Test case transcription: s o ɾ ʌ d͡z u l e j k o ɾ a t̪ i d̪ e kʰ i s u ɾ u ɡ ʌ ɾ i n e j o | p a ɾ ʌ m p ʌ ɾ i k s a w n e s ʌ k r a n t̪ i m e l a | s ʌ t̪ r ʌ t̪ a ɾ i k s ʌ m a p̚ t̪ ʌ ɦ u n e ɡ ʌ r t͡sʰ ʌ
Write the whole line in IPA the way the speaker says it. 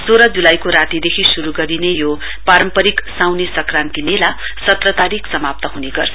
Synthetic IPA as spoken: s o ɾ ʌ d͡z u l a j k o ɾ a t̪ i d̪ e kʰ i s u ɾ u ɡ ʌ ɾ i n e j o | p a ɾ ʌ m p ʌ ɾ i k s a w n e s ʌ k r a n t̪ i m e l a | s ʌ t̪ r ʌ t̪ a ɾ i k s ʌ m a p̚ t̪ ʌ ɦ u n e ɡ ʌ r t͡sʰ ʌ